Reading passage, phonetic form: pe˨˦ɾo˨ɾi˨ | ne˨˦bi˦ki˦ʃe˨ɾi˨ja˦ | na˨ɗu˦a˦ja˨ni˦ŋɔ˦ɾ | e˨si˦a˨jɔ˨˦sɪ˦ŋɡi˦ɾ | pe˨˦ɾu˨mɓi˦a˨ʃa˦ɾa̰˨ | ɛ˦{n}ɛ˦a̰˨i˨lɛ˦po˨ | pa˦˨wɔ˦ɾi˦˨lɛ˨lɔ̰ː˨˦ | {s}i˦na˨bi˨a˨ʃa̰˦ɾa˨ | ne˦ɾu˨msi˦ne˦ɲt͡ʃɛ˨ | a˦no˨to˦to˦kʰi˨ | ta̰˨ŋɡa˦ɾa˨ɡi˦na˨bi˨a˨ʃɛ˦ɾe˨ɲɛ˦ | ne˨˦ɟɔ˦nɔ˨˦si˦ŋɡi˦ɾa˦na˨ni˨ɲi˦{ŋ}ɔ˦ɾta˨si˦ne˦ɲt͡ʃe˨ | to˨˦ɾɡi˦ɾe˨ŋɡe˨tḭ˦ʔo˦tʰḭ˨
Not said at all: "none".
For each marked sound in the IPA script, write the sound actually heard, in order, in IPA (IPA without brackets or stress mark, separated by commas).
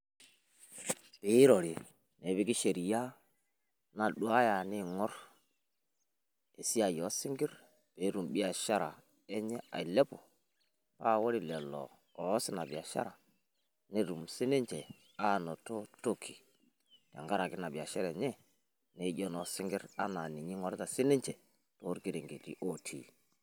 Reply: ɲ, s, ŋ